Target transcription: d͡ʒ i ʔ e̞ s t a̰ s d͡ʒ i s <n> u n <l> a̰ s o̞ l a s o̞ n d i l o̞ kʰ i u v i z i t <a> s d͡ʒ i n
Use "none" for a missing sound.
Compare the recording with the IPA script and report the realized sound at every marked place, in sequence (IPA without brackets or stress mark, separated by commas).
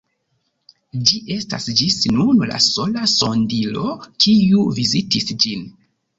n, l, i